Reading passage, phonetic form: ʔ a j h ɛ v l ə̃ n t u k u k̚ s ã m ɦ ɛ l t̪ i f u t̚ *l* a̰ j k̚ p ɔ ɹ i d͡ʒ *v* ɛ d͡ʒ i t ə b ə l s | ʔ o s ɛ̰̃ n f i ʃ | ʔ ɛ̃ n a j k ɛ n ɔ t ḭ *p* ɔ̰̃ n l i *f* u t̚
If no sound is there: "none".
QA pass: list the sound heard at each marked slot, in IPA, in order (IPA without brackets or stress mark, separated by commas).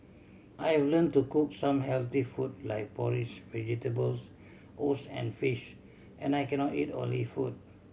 l, v, t, f